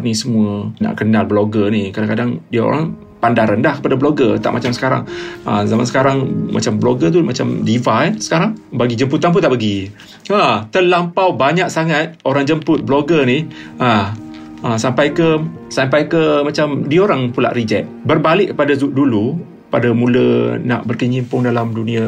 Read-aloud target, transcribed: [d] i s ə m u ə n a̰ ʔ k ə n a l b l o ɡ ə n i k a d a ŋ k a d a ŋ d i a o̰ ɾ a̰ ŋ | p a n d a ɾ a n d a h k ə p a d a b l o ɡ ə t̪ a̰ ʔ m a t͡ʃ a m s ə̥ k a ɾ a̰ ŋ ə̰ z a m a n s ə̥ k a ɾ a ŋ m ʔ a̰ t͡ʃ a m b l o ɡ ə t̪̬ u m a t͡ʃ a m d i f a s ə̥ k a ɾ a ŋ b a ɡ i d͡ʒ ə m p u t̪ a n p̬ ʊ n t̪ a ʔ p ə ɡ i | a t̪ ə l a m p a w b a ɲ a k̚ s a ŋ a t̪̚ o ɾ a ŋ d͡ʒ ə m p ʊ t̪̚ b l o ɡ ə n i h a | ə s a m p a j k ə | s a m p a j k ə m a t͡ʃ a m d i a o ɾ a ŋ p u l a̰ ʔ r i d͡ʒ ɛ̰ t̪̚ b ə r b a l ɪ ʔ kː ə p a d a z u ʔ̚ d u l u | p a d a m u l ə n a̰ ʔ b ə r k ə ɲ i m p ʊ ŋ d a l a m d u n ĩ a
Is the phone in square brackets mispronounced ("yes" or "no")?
yes